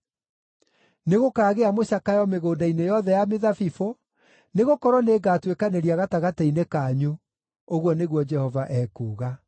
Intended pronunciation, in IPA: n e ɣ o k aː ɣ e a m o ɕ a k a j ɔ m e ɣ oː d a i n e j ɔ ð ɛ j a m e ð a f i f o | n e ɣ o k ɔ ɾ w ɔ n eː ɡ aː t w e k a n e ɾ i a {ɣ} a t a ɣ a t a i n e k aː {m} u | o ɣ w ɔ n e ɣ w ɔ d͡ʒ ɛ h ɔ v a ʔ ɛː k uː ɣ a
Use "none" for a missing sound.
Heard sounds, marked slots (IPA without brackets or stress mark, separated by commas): ɣ, ɲ